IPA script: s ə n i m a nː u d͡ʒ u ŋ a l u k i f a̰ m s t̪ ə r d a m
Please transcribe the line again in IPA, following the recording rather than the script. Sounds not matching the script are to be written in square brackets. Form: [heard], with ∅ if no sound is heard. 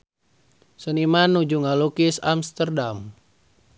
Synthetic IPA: s ə n i m a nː u d͡ʒ u ŋ a l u k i [s] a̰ m s t̪ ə r d a m